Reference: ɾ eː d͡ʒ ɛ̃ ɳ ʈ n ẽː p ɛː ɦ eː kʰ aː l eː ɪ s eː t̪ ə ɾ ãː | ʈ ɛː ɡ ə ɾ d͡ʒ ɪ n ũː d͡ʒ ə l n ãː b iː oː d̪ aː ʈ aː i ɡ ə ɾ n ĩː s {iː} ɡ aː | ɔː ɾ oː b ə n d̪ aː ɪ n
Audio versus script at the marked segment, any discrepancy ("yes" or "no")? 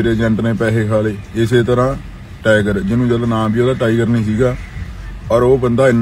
no